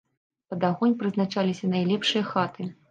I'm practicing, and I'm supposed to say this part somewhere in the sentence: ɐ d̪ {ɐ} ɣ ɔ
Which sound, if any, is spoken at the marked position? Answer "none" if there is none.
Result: a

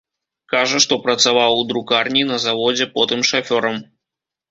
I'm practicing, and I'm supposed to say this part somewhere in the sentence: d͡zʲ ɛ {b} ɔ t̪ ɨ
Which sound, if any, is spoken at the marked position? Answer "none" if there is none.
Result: p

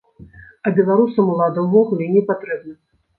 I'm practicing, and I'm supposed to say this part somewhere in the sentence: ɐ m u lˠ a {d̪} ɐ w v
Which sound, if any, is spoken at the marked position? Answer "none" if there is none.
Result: d̪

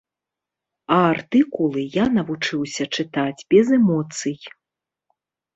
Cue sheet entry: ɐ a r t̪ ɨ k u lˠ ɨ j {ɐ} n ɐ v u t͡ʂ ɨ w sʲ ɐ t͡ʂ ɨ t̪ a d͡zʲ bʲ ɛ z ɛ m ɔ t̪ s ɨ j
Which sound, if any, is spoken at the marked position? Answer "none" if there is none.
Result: a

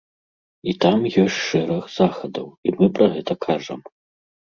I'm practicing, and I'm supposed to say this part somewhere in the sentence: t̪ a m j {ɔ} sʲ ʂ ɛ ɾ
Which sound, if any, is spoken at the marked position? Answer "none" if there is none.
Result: ɔ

